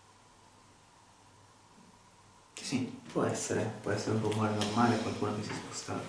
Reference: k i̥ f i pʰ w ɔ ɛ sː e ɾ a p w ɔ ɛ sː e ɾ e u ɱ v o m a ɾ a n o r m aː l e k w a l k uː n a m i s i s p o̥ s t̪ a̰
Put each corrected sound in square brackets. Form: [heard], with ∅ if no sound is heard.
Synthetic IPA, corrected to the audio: k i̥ [s] i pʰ w ɔ ɛ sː e ɾ [e] p w ɔ ɛ sː e ɾ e u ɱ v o m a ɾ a n o r m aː l e k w a l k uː n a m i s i s p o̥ s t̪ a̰